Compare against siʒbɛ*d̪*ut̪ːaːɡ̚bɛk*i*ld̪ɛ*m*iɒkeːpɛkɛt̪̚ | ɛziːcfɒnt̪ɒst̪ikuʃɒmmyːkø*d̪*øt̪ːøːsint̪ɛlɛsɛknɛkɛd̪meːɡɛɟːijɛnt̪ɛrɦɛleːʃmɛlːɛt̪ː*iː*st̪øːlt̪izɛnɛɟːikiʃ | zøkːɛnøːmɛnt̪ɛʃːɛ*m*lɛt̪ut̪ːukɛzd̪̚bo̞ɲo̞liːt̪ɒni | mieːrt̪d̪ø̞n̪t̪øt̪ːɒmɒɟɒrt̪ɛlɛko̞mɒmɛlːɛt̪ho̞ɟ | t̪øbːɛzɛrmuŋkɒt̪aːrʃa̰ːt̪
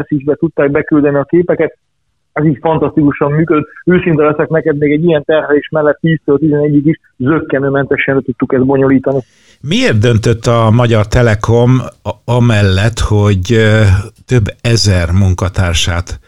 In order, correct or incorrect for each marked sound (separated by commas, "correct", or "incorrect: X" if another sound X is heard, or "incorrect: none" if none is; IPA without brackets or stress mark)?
incorrect: t̪, incorrect: y, incorrect: n, correct, correct, incorrect: n